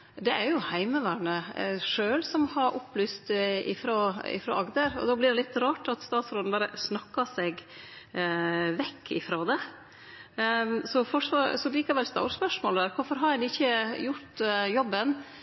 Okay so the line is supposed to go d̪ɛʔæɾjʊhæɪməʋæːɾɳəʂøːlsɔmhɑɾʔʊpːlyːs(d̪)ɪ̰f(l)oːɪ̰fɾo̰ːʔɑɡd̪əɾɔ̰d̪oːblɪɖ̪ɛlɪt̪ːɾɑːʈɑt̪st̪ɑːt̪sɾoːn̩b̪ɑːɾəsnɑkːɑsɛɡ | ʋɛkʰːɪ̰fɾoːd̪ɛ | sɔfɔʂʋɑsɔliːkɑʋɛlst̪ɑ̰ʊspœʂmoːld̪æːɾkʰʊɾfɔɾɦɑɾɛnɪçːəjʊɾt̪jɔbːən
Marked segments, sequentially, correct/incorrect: incorrect, incorrect

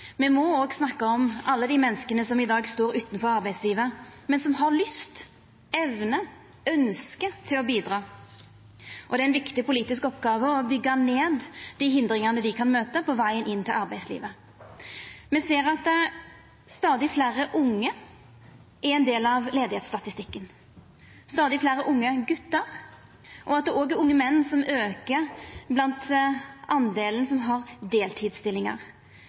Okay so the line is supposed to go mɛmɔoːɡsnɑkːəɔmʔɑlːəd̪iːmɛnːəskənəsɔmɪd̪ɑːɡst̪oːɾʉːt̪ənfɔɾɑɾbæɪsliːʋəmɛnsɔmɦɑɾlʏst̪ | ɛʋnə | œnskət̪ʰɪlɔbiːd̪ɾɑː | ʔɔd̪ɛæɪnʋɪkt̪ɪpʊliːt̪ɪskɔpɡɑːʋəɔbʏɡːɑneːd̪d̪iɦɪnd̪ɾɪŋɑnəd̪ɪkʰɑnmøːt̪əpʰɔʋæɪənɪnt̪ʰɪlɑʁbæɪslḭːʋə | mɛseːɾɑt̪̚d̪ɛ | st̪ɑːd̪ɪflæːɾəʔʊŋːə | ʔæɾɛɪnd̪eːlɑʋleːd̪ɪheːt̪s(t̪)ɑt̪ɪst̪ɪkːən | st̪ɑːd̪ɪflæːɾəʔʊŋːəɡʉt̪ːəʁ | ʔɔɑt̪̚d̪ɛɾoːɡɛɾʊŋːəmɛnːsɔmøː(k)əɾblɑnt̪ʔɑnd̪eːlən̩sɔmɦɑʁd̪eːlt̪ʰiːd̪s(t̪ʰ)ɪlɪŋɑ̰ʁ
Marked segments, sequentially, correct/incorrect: correct, correct, incorrect

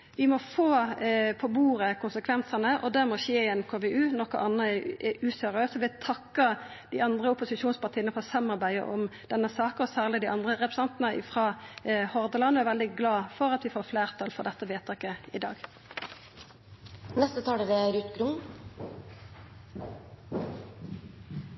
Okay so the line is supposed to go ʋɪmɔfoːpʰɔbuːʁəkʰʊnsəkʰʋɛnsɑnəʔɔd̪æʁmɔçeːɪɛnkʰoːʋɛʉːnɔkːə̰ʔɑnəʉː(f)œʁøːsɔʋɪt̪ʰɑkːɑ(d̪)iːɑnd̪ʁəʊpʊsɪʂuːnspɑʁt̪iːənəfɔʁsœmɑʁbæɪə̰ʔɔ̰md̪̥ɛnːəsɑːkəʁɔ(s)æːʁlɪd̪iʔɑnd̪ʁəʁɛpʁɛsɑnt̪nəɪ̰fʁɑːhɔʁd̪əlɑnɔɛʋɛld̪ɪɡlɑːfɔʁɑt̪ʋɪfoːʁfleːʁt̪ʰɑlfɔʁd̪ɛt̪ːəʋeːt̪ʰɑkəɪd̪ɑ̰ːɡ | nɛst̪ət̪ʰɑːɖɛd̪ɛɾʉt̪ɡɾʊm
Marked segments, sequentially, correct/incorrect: incorrect, correct, correct

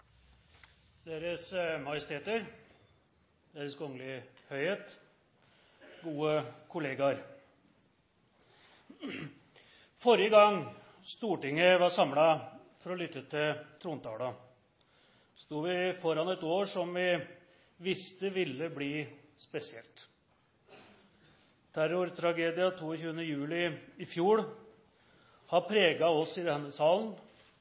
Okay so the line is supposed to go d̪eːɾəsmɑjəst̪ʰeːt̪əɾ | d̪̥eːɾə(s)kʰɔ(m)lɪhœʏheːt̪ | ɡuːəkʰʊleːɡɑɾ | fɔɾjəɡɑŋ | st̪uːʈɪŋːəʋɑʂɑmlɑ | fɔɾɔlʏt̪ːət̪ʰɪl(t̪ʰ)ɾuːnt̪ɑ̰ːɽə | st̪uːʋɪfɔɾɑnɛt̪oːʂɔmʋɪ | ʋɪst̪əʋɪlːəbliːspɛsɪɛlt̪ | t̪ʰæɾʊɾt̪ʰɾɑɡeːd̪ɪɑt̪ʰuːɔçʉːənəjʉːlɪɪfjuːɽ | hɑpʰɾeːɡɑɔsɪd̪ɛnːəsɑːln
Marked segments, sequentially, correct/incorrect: correct, incorrect, correct

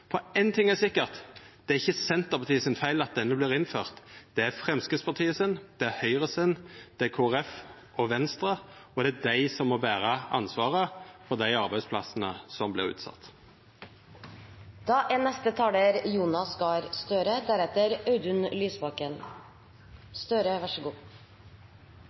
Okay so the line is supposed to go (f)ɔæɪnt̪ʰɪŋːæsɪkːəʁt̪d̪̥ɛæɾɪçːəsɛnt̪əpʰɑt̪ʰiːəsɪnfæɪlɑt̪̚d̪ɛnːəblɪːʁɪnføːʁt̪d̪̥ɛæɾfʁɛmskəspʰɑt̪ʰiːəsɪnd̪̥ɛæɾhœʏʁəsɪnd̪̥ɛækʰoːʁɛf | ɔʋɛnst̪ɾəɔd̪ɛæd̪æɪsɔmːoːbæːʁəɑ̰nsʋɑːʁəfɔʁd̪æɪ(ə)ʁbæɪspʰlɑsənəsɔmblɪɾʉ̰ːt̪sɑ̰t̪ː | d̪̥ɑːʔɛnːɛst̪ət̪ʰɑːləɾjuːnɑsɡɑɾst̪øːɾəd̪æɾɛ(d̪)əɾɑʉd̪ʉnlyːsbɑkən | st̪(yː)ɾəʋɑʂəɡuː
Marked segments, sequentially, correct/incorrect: correct, incorrect, incorrect, incorrect

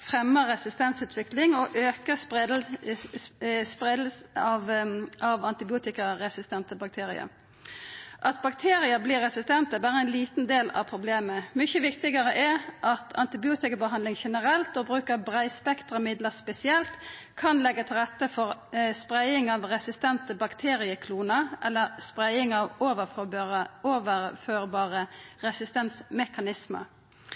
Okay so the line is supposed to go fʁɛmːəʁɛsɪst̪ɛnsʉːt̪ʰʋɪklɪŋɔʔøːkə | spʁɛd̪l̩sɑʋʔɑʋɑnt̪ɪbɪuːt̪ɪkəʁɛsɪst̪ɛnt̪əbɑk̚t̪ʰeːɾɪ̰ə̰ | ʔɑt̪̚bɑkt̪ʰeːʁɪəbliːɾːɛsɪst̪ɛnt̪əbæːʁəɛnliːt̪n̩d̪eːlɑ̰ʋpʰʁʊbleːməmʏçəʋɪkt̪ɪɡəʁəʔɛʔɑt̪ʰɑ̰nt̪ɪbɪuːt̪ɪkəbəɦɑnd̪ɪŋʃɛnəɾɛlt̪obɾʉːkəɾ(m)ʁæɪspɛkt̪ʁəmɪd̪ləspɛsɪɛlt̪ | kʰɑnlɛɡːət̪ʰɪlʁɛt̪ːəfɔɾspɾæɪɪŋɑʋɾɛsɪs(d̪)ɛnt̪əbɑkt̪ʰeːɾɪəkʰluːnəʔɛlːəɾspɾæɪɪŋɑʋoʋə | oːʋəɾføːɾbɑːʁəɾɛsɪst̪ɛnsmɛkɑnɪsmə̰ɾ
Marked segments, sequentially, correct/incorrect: incorrect, incorrect

